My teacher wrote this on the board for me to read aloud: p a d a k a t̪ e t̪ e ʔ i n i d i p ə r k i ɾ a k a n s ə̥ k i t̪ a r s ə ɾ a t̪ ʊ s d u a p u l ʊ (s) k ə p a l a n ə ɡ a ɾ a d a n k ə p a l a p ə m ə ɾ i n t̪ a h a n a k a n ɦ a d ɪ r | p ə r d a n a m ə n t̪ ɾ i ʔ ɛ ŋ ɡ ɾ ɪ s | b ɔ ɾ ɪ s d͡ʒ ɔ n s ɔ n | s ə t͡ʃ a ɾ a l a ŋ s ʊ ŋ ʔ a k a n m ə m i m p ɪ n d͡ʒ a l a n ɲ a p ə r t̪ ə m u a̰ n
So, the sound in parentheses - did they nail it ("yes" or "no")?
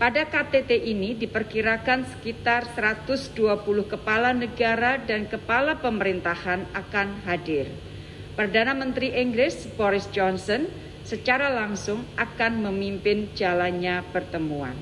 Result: no